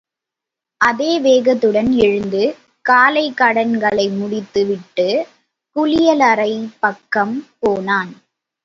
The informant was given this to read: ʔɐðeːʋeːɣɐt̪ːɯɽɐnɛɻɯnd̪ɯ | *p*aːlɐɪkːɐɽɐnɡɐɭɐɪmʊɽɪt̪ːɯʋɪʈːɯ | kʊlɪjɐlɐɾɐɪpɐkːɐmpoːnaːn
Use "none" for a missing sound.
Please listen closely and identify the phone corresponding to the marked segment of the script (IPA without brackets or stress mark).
k